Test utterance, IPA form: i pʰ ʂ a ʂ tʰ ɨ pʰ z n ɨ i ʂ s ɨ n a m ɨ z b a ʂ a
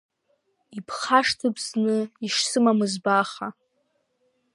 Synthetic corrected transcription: i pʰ χ a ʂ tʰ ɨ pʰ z n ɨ i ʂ s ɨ m a m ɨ z b a χ a